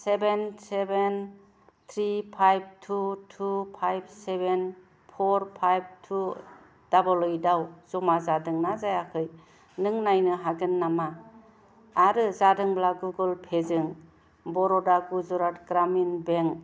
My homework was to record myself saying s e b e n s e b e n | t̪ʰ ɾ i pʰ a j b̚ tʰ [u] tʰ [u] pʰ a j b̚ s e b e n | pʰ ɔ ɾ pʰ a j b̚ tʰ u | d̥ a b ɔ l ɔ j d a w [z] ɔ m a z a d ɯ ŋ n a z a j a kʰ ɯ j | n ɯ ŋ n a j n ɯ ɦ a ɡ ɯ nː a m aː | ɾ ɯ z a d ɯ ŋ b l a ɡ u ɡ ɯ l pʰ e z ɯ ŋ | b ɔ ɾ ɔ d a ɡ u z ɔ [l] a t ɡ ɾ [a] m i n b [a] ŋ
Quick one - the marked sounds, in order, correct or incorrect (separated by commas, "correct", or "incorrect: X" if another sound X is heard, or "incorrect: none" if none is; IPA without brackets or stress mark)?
correct, correct, correct, incorrect: ɾ, correct, incorrect: e